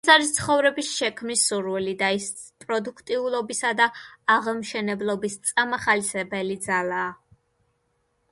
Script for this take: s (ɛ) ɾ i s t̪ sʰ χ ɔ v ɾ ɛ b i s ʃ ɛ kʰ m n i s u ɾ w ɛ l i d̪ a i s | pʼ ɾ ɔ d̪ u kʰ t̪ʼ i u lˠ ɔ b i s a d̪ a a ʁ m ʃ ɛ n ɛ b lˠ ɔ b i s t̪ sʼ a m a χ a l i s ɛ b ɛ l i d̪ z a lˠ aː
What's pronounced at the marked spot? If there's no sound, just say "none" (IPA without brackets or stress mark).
a